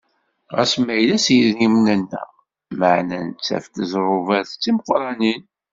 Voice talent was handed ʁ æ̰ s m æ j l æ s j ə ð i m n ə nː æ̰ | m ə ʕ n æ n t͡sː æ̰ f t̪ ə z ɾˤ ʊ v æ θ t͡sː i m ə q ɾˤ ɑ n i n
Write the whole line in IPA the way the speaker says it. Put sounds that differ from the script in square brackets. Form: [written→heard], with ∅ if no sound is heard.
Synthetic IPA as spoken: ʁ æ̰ s m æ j l æ s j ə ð i m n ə nː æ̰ | m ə ʕ n æ n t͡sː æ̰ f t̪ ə z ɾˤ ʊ v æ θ t͡sː i m ə q ɾˤ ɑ n i n